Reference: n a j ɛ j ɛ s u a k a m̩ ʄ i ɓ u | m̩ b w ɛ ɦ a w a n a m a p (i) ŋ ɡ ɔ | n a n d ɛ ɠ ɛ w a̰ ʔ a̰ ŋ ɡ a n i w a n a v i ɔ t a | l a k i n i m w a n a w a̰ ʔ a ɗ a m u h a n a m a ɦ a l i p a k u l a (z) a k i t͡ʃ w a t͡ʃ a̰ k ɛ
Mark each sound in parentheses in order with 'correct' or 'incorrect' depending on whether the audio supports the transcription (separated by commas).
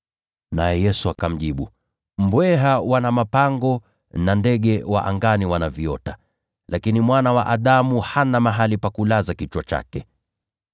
incorrect, correct